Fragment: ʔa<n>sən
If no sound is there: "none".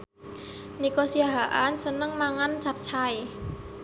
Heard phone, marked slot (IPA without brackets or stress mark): n